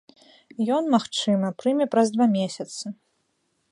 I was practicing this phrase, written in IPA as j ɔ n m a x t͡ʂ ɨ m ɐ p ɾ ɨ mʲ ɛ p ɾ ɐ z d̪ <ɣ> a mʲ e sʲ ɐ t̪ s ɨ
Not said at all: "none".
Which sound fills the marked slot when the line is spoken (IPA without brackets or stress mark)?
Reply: v